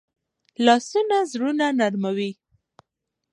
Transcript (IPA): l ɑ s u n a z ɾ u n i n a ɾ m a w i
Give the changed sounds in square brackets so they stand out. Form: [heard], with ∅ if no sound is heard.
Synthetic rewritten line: l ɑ s u n a z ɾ u n [a] n a ɾ m a w i